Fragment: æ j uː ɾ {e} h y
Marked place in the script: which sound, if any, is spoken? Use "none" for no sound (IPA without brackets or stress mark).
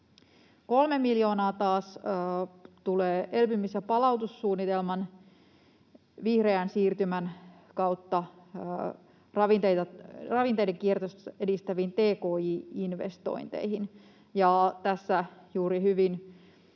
i